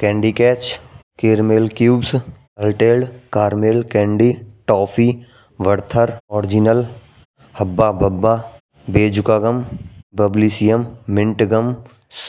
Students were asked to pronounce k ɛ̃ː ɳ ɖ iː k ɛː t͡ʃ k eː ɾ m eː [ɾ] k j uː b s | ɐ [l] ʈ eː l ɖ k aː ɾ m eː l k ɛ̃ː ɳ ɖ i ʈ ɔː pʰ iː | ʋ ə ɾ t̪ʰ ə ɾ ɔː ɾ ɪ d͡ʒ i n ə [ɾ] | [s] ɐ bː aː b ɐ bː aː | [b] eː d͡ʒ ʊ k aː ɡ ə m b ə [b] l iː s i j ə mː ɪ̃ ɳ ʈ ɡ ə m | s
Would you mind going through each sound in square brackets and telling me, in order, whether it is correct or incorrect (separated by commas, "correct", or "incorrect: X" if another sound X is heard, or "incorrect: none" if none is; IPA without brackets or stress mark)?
incorrect: l, correct, incorrect: l, incorrect: h, correct, correct